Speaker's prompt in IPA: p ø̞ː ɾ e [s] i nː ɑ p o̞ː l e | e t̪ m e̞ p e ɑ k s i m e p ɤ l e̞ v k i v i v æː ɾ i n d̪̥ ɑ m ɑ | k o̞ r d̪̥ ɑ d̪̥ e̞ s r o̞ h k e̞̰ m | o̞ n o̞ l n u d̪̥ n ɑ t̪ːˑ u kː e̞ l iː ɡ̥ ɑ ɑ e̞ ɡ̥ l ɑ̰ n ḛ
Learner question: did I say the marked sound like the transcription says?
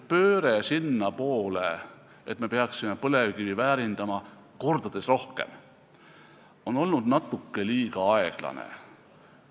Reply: yes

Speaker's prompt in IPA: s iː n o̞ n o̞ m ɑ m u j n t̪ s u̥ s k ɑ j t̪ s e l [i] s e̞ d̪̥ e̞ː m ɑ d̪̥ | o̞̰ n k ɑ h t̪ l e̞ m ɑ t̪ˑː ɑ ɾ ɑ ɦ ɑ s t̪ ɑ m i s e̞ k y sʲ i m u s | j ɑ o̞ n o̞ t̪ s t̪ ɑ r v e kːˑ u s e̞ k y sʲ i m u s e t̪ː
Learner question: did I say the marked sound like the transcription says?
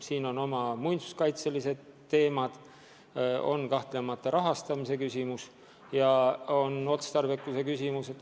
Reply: yes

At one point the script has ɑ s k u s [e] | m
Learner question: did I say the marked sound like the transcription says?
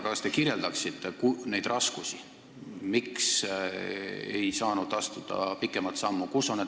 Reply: no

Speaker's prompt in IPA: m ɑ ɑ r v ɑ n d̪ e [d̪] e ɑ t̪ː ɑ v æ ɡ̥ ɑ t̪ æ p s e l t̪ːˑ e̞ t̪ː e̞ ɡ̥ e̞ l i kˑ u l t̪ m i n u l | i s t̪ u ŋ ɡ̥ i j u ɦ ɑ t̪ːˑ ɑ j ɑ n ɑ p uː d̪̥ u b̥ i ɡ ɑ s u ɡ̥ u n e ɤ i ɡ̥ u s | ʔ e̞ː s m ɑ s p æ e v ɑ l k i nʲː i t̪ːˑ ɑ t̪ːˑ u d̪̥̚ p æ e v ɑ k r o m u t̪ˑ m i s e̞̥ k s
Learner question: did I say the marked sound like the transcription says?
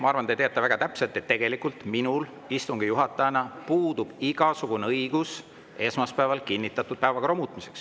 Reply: no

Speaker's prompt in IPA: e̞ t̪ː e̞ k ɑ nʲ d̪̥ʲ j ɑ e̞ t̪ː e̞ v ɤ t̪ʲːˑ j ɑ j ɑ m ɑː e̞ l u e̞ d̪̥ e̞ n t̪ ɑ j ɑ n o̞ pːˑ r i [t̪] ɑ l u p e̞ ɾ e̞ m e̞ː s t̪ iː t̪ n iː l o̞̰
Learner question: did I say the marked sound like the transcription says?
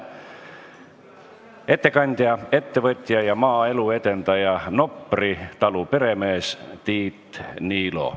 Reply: yes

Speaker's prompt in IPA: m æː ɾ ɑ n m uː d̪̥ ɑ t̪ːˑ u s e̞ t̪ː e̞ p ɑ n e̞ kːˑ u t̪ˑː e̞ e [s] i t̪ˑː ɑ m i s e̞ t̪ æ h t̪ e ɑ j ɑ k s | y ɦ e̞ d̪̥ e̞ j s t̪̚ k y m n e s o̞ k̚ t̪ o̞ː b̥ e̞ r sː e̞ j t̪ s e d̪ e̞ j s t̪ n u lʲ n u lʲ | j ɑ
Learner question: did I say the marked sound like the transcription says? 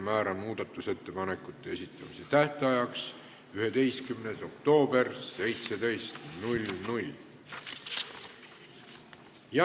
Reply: yes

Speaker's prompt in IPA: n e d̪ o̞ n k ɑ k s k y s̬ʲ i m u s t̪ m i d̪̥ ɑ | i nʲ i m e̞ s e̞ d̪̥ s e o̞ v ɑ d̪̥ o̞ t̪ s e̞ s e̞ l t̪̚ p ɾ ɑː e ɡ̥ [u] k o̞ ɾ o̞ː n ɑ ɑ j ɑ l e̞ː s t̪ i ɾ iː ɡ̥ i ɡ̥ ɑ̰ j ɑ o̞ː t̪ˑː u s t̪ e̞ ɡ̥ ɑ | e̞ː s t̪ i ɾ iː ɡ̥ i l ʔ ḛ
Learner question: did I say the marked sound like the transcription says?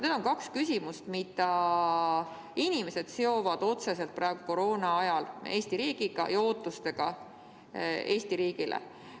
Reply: yes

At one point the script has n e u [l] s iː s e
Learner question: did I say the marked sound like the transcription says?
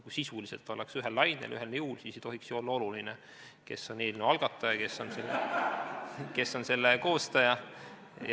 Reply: yes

